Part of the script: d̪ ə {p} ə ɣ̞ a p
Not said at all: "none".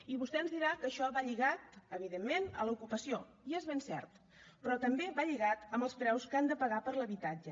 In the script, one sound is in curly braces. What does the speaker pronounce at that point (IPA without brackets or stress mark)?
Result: p